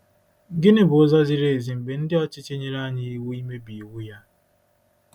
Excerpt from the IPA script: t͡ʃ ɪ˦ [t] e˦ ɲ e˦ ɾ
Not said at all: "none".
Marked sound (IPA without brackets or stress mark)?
t͡ʃ